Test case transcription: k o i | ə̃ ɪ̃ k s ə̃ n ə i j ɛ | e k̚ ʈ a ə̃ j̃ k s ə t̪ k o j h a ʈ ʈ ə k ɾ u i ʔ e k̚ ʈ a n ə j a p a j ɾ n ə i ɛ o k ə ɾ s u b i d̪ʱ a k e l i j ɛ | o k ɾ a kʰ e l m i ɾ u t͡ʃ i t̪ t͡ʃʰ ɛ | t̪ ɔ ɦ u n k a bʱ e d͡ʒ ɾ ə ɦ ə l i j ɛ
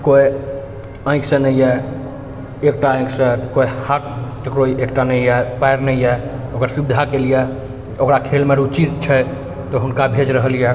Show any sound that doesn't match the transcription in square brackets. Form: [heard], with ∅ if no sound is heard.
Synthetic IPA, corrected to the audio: k o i | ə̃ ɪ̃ k s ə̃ n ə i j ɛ | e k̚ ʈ a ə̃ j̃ k s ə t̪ k o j h a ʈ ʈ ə k ɾ [o] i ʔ e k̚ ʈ a n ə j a p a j ɾ n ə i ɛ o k ə ɾ s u b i d̪ʱ a k e l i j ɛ | o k ɾ a kʰ e l m [e] ɾ u t͡ʃ i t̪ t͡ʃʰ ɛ | t̪ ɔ ɦ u n k a bʱ e d͡ʒ ɾ ə ɦ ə l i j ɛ